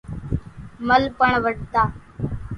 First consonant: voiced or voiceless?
voiced